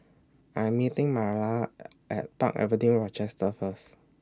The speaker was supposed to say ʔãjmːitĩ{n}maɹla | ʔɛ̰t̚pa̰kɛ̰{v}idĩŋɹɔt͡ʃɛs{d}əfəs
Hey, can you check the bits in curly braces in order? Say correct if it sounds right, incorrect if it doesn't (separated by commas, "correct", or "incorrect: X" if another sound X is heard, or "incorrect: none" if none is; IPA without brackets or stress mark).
incorrect: ŋ, correct, incorrect: t